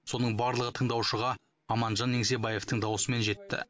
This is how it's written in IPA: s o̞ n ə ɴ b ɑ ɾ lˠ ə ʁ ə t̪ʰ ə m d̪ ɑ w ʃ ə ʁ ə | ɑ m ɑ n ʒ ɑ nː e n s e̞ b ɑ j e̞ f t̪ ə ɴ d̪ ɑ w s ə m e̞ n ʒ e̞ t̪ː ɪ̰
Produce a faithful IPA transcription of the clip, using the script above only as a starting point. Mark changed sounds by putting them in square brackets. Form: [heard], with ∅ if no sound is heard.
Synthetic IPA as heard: s o̞ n ə ɴ b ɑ ɾ lˠ ə ʁ ə t̪ʰ ə [ɴ] d̪ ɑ w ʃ ə ʁ [ɑ] | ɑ m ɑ n ʒ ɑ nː e [ŋ] s e̞ b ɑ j e̞ f t̪ ə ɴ d̪ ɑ w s ə m e̞ n ʒ e̞ t̪ː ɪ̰